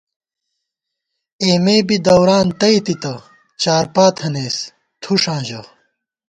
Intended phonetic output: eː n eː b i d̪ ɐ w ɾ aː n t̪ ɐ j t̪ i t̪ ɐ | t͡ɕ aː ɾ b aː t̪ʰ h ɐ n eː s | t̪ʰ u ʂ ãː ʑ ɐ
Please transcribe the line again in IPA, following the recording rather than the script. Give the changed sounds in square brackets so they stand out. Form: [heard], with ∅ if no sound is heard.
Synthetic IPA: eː [m] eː b i d̪ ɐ w ɾ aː n t̪ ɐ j t̪ i t̪ ɐ | t͡ɕ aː ɾ [p] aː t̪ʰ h ɐ n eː s | t̪ʰ u ʂ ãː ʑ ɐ